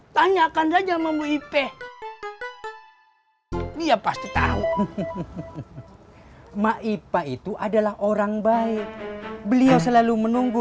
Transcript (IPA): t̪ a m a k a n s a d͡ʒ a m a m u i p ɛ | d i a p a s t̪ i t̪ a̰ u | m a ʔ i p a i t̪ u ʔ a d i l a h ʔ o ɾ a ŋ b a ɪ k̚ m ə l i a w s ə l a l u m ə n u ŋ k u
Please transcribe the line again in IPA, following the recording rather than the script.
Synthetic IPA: t̪ a ɲ a k a n s a d͡ʒ a m a m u i p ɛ | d i a p a s t̪ i t̪ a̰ u | m a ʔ i p a i t̪ u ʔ a d a l a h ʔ o ɾ a ŋ b a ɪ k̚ b ə l i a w s ə l a l u m ə n u ŋ ɡ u